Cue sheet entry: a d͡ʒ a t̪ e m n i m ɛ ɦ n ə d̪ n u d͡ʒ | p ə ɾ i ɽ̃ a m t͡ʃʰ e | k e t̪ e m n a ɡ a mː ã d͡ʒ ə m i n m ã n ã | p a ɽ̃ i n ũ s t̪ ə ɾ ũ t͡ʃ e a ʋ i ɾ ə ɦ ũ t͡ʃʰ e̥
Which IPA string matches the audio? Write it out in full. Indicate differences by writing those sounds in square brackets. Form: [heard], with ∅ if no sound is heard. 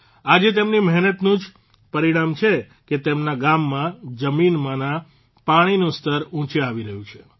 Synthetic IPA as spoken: a d͡ʒ [e] t̪ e m n i m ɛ ɦ n ə [t̪] n [ũ] d͡ʒ | p ə ɾ i ɽ̃ a m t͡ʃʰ e | k e t̪ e m n a ɡ a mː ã d͡ʒ ə m i n m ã n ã | p a ɽ̃ i n ũ s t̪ ə ɾ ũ t͡ʃ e a ʋ i ɾ ə ɦ ũ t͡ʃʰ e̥